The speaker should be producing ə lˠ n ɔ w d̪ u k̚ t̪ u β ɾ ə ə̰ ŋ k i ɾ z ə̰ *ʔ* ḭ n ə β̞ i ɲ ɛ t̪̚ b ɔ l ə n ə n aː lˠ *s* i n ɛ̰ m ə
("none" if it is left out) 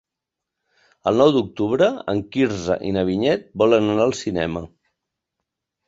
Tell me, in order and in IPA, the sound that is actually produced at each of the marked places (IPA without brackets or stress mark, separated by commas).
ʔ, s